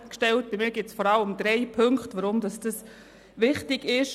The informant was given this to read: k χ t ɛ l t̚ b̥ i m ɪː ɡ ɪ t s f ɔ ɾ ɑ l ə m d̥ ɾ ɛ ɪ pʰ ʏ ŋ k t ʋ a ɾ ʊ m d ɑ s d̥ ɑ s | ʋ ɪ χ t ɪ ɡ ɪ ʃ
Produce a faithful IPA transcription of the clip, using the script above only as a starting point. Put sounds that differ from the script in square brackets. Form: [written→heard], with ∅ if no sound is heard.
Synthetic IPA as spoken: k [χ→ʃ] t ɛ l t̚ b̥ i m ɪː ɡ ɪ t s f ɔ ɾ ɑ l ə m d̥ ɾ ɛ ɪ pʰ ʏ ŋ k t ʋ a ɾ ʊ m d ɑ s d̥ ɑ s | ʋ ɪ χ t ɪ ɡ ɪ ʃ